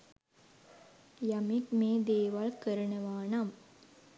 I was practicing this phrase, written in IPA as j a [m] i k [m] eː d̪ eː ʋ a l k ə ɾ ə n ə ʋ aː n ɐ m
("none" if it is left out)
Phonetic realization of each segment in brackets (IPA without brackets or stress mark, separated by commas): m, m